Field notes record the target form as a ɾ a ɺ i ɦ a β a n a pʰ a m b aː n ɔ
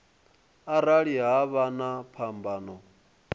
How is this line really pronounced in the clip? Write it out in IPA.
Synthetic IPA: a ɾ a ɺ i ɦ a β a n a pʰ a m b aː n ɔ

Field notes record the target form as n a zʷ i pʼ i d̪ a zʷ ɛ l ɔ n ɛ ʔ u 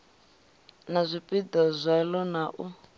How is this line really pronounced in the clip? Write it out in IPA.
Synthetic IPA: n a zʷ i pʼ i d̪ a zʷ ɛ l ɔ n a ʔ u

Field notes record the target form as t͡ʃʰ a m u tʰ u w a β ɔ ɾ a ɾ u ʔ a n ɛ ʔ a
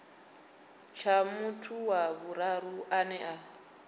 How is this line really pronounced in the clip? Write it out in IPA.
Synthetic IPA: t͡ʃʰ a m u tʰ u w a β u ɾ a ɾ u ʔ a n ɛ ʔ a

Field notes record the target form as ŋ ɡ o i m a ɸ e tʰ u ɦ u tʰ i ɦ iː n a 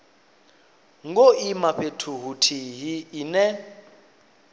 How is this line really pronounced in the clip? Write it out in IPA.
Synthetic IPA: ŋ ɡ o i m a ɸ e tʰ u ɦ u tʰ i ɦ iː n ɛ

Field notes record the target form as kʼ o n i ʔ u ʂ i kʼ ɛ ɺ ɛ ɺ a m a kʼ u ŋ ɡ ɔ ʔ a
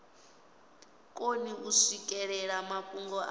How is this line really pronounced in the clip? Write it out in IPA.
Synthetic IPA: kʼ o n i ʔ u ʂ i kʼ ɛ ɺ ɛ ɺ a m a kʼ u ŋ ɡ ɔ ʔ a

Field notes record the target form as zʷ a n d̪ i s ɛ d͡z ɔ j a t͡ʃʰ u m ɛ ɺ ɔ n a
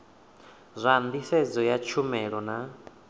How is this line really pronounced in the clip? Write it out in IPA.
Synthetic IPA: zʷ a n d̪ i s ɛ d͡z ɔ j a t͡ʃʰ u m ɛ ɺ ɔ n a

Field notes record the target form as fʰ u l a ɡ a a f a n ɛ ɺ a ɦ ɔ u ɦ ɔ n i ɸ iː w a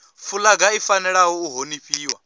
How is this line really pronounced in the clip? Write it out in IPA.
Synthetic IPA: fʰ u l a ɡ a i f a n ɛ ɺ a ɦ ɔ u ɦ o n i ɸ iː w a

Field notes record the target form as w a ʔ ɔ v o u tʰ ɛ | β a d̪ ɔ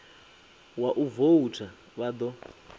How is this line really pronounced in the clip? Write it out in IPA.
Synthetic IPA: w a ʔ u v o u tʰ a | β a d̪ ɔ

